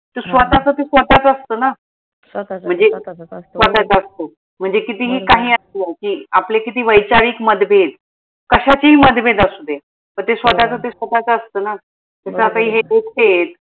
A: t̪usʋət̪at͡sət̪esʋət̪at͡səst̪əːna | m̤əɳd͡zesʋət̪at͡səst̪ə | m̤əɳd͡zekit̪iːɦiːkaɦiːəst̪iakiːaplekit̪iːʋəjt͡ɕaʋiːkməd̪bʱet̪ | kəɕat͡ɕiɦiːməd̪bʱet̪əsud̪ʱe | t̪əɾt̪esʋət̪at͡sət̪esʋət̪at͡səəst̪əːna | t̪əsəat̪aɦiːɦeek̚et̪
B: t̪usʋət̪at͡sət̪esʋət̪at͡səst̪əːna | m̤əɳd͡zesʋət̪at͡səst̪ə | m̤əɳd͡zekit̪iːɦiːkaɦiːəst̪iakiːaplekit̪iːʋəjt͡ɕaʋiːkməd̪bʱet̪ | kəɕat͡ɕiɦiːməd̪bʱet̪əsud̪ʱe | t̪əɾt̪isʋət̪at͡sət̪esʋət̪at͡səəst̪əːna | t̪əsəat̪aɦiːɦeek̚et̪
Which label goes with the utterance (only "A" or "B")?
A